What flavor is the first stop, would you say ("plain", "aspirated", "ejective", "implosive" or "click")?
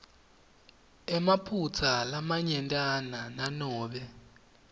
aspirated